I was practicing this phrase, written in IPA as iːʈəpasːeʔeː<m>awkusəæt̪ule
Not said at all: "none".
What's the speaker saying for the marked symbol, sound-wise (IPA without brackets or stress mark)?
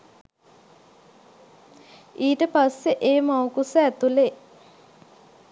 m